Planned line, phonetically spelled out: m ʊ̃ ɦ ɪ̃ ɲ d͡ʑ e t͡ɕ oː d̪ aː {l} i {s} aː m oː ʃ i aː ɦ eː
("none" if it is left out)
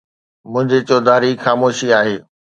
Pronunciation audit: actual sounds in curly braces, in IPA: ɾ, x

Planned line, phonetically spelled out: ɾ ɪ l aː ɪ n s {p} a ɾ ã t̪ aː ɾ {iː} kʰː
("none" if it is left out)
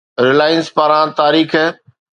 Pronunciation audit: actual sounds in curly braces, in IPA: p, iː

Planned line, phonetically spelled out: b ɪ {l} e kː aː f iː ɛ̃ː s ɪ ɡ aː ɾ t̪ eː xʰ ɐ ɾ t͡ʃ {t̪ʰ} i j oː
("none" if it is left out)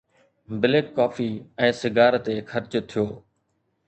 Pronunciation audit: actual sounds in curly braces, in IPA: l, t̪ʰ

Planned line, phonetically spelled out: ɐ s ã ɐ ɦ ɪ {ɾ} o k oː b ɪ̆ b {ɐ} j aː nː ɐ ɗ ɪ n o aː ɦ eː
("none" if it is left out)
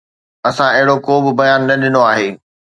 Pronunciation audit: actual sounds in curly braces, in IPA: ɽ, ɐ

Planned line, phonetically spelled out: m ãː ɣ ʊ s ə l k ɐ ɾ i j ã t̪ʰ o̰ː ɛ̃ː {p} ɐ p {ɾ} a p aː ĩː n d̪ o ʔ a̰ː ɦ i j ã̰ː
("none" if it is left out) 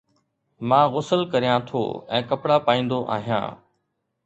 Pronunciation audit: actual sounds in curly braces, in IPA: k, ɽ

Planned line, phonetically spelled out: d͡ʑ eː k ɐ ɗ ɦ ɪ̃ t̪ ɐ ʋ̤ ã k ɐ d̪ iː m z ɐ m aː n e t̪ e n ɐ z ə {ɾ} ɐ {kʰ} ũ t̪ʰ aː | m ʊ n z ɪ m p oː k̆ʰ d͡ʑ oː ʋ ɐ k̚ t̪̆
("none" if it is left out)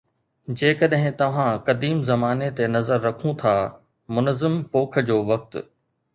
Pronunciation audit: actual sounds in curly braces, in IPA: ɾː, kʰ

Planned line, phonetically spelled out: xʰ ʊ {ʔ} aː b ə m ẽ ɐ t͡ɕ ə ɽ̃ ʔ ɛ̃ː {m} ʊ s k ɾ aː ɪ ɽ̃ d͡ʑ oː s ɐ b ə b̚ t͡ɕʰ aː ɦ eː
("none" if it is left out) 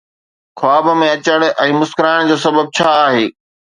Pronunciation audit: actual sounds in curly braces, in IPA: none, m

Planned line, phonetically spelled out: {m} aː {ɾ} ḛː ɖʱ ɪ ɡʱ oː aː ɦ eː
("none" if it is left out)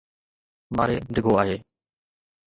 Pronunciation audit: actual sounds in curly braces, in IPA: m, ɾ

